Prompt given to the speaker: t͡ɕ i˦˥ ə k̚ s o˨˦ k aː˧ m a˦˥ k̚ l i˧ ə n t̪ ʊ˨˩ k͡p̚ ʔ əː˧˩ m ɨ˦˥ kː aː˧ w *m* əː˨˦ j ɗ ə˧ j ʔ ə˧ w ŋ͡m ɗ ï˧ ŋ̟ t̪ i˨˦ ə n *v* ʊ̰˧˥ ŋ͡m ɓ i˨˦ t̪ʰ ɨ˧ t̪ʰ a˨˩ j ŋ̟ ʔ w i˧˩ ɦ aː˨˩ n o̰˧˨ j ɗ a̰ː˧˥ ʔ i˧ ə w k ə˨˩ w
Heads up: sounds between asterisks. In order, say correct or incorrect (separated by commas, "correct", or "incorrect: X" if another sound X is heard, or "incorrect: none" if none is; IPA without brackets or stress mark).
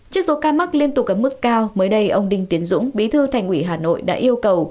correct, incorrect: z